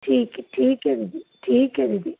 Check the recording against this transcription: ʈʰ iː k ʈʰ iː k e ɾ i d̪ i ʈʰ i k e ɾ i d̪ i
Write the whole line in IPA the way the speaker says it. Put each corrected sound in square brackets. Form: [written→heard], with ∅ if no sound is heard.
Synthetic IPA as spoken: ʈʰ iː k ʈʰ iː k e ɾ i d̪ i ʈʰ [i→iː] k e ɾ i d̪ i